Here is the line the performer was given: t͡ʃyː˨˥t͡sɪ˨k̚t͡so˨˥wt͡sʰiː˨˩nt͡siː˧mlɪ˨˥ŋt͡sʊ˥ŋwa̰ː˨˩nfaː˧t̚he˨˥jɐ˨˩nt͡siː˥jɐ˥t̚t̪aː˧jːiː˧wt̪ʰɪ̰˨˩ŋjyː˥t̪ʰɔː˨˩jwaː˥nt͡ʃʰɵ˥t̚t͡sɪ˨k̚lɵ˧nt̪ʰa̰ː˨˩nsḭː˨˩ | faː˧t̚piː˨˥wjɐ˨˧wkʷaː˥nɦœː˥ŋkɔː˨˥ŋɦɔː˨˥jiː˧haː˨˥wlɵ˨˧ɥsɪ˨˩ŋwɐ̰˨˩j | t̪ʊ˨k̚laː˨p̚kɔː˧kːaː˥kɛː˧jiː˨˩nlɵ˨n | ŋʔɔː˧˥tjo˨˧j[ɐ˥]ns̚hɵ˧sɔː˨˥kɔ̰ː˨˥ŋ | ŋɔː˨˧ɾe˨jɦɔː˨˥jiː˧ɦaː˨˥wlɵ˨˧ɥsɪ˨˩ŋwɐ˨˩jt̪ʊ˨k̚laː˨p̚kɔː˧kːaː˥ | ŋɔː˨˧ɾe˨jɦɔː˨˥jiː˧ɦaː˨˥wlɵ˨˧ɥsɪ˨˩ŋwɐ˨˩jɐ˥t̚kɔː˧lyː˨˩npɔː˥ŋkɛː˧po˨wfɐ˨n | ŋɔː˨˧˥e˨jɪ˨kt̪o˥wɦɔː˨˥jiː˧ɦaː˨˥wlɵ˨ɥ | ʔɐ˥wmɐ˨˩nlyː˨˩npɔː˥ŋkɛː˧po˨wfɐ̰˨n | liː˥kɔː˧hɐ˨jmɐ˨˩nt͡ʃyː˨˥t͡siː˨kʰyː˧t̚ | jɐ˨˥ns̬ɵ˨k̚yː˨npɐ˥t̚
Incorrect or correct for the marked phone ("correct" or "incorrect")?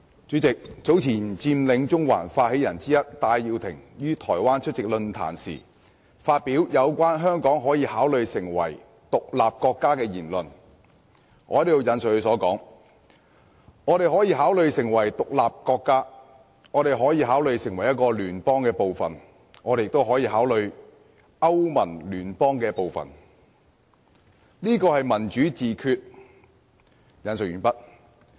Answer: incorrect